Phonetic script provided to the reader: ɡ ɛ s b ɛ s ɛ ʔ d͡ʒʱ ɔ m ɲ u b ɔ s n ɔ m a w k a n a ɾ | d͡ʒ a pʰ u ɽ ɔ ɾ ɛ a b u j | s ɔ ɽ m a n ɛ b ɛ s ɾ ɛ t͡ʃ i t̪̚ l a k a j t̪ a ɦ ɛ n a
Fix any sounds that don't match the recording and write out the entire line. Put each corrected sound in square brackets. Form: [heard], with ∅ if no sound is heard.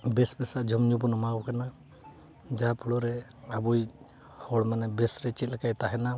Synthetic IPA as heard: [b] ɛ s b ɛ s [a] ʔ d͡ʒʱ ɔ m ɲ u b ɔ [∅] n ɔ m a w k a n a [∅] | d͡ʒ a pʰ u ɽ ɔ ɾ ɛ a b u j | [h] ɔ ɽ m a n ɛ b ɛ s ɾ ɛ t͡ʃ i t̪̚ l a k a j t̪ a ɦ ɛ n a